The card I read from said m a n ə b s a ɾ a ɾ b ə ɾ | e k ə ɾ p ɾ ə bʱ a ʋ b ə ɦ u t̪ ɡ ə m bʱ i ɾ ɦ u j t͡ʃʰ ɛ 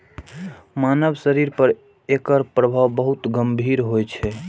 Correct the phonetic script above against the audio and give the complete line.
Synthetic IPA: m a n ə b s ə ɾ i ɾ p ə ɾ | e k ə ɾ p ɾ ə bʱ a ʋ b ə ɦ u t̪ ɡ ə m bʱ i ɾ ɦ o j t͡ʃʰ ɛ